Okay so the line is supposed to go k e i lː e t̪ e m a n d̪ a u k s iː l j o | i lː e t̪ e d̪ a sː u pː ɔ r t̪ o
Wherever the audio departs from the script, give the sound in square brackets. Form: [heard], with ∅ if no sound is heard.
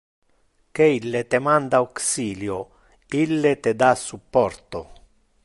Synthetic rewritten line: k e i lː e t̪ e m a n d̪ a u k s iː l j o | i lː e t̪ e d̪ a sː u pː ɔ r t̪ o